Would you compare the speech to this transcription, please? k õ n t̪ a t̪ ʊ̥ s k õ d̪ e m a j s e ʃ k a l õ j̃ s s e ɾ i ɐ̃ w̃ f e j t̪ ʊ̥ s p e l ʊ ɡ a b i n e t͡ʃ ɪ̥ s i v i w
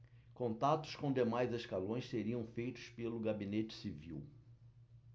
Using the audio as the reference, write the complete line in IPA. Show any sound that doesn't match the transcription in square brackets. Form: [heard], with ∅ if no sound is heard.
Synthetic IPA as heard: k õ n t̪ a t̪ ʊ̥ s k õ d̪ e m a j [z] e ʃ k a l õ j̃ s s e ɾ i ɐ̃ w̃ f e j t̪ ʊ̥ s p e l ʊ ɡ a b i n e t͡ʃ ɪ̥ s i v i w